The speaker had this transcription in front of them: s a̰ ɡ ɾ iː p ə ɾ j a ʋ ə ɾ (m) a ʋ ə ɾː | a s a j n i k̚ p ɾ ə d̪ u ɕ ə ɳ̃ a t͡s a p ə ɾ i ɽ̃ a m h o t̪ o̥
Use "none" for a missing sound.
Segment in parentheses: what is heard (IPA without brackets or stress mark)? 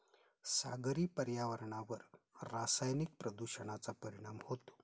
ɳ